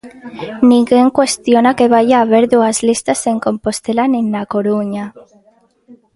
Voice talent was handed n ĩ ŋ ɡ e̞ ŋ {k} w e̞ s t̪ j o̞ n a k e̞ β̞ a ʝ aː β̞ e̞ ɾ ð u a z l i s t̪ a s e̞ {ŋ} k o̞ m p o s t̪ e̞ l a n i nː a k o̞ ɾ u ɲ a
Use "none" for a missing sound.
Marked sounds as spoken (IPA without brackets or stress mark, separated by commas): k, ŋ